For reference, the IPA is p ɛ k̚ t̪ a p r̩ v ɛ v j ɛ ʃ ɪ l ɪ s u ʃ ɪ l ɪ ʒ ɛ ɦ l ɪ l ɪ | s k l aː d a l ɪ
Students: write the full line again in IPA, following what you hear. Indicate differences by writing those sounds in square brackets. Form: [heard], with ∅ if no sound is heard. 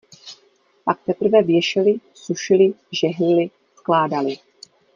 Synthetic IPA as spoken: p [a] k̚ t̪ [ɛ] p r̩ v ɛ v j ɛ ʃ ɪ l ɪ s u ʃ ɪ l ɪ ʒ ɛ ɦ l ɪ l ɪ | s k l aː d a l ɪ